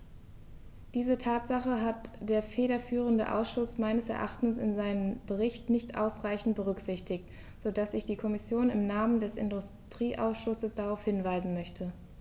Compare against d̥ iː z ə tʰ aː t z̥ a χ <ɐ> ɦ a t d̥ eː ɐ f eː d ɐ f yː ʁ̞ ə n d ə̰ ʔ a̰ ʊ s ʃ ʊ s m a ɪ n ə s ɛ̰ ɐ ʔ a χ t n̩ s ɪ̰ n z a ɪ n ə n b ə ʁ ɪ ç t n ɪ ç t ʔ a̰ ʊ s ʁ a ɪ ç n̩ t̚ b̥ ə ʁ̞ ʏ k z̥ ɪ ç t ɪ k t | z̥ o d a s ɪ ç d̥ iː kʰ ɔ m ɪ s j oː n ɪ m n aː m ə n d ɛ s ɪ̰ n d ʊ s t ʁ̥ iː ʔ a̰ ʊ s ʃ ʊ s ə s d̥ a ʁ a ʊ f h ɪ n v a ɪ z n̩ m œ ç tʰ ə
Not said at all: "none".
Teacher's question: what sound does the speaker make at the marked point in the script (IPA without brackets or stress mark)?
ə